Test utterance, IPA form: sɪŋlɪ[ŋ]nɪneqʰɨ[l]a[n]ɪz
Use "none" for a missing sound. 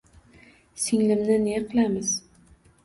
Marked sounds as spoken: m, l, m

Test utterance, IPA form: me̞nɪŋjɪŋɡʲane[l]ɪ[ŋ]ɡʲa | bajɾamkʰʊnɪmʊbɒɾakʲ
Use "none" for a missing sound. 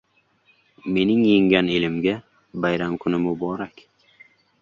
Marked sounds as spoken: l, m

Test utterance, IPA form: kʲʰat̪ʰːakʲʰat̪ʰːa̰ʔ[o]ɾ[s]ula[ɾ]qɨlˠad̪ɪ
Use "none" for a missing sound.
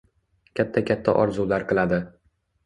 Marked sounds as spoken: ɒ, z, ɾ

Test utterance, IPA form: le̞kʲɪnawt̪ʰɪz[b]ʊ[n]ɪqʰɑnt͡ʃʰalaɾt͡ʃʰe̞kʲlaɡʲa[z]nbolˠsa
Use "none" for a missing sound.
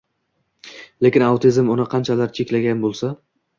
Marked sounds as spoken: m, n, none

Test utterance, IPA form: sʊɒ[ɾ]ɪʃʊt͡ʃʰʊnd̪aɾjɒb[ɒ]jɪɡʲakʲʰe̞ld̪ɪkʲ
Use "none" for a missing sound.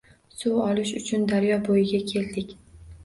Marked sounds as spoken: l, o

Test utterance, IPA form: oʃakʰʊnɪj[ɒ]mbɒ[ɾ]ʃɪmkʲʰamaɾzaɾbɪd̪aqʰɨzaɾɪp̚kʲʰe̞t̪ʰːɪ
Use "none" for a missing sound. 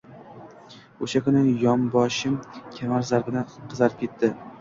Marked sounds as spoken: ɒ, none

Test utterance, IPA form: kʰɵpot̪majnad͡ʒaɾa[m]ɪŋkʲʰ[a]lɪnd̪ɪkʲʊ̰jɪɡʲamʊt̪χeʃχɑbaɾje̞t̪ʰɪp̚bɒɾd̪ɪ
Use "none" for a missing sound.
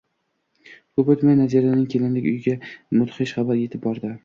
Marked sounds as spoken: n, e

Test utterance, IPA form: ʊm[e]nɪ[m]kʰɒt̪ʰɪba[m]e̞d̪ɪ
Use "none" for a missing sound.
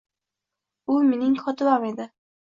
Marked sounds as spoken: e, ŋ, m

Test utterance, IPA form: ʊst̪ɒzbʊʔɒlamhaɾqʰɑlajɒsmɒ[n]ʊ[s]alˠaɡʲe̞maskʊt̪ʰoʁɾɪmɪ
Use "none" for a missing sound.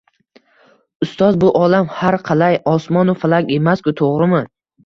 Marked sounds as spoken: n, f

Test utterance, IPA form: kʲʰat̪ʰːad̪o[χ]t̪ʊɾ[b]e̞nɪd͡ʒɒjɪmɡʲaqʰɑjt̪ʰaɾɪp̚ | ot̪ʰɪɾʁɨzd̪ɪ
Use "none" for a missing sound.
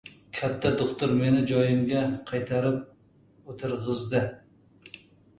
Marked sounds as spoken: χ, m

